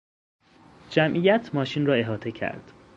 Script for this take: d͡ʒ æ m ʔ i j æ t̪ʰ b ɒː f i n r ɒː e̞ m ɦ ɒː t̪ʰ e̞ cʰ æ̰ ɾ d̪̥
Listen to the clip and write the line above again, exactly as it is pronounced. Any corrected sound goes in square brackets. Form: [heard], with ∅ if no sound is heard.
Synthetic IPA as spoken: d͡ʒ æ m ʔ i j æ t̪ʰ [m] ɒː [ʃ] i n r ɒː e̞ [∅] ɦ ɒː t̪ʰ e̞ cʰ æ̰ ɾ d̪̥